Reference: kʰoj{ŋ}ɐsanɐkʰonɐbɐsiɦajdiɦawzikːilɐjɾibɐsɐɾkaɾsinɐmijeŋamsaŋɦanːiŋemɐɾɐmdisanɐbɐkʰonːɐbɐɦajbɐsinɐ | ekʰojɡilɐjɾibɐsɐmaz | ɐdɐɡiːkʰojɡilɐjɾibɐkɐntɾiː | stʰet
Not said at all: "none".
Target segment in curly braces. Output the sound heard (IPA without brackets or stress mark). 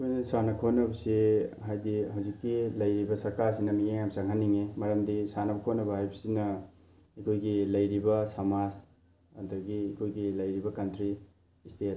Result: n